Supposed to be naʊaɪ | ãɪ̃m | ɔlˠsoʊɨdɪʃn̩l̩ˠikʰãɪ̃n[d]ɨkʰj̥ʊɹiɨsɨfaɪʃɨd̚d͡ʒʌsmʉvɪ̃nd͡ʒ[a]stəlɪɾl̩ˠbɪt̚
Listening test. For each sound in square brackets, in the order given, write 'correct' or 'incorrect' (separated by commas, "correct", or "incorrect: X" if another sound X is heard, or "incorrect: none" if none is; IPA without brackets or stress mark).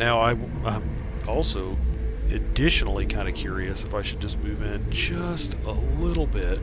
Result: correct, incorrect: ʌ